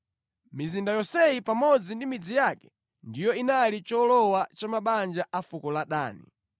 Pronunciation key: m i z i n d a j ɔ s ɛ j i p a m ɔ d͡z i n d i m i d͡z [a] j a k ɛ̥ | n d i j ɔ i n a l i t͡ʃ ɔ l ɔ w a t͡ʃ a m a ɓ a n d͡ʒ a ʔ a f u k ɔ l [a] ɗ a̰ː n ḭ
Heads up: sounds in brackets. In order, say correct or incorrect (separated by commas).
incorrect, correct